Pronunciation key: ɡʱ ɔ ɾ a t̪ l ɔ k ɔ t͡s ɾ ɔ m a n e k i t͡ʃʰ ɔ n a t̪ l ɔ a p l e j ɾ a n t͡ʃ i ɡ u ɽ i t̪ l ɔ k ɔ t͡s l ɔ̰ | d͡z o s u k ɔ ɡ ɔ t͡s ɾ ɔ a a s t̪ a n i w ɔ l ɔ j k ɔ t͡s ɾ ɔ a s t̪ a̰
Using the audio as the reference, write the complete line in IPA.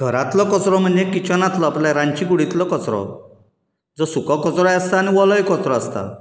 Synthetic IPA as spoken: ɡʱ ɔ ɾ a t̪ l ɔ k ɔ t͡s ɾ ɔ m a n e k i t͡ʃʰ ɔ n a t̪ l ɔ a p l a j ɾ a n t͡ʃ i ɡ u ɽ i t̪ l ɔ k ɔ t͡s ɾ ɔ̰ | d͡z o s u k ɔ k ɔ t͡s ɾ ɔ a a s t̪ a n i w ɔ l ɔ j k ɔ t͡s ɾ ɔ a s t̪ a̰